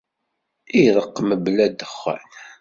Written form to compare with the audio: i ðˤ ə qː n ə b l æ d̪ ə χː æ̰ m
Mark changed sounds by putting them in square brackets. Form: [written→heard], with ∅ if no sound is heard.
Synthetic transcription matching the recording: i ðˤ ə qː [n→m] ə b l æ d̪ ə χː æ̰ [m→n]